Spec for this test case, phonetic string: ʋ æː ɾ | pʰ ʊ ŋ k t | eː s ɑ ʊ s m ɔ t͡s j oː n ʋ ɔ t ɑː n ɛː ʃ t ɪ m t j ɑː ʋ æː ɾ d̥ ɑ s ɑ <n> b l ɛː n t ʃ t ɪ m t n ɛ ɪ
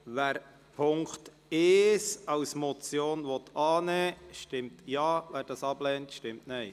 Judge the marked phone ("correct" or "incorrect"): incorrect